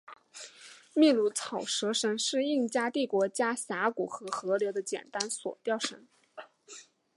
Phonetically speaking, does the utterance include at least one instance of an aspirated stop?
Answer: yes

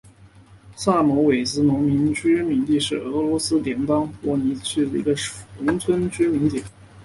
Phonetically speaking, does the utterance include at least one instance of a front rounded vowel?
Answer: yes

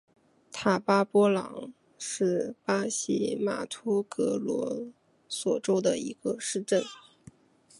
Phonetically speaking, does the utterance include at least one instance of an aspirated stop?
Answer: yes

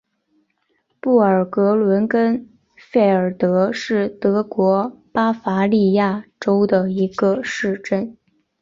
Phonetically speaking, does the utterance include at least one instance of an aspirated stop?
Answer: no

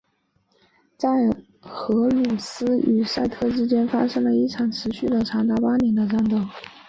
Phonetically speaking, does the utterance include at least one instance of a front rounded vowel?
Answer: yes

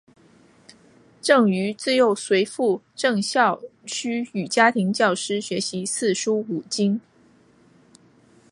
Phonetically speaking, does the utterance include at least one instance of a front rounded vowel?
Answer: yes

